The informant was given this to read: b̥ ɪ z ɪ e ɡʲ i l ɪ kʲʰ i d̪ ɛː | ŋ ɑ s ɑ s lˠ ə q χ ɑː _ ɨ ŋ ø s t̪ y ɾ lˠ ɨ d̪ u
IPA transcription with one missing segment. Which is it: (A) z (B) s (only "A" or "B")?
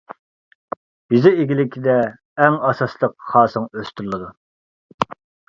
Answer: B